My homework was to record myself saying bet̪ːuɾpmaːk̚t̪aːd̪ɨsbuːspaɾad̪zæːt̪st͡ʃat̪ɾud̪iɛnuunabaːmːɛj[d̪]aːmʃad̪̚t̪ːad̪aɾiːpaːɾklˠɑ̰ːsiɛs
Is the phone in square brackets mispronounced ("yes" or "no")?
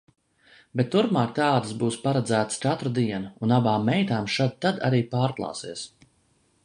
yes